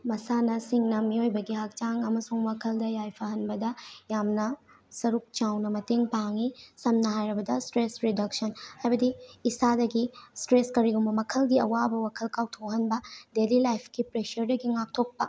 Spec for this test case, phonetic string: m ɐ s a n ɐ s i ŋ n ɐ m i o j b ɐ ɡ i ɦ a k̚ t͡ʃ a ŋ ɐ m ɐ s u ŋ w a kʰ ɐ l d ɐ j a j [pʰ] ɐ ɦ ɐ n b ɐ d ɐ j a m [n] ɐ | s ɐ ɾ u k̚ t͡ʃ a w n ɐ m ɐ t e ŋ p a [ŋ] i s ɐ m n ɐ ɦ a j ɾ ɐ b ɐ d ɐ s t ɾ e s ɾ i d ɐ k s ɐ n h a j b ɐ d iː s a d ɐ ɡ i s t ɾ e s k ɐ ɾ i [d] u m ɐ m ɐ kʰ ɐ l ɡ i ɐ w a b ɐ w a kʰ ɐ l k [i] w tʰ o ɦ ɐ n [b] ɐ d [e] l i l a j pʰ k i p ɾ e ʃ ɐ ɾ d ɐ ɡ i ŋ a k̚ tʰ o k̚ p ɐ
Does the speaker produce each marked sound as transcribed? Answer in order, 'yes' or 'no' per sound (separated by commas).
yes, yes, yes, no, no, yes, yes